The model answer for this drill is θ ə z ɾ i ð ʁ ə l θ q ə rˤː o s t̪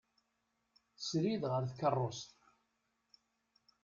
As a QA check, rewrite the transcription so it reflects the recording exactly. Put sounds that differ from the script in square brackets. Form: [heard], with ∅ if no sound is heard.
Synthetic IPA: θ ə [s] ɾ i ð ʁ ə [ɾ] θ [k] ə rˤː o s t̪